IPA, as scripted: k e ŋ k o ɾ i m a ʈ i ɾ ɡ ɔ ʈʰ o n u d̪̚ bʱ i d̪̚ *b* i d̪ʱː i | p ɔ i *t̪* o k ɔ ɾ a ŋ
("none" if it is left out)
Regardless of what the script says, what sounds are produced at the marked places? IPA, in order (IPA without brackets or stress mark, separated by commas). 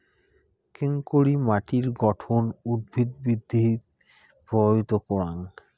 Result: b, t̪